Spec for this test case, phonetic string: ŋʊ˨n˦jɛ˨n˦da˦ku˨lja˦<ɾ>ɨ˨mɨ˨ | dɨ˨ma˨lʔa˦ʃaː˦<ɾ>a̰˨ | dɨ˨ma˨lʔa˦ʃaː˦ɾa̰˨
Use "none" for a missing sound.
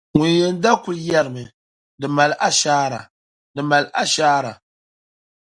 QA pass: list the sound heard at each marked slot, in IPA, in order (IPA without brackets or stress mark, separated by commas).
ɾ, ɾ